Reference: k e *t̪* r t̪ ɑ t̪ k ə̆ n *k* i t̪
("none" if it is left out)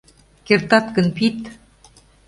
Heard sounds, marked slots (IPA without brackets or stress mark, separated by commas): none, p